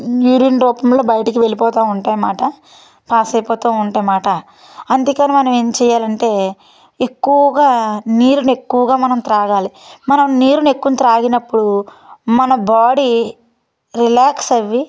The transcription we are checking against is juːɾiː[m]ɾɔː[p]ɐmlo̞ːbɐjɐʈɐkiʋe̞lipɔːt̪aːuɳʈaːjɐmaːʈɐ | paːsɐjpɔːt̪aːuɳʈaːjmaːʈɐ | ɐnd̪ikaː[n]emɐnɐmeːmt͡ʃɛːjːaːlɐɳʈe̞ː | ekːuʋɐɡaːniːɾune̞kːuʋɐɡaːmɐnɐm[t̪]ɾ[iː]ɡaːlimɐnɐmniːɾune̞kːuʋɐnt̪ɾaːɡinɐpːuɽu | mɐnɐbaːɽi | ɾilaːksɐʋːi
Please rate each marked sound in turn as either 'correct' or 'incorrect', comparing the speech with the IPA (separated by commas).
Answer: incorrect, correct, correct, correct, incorrect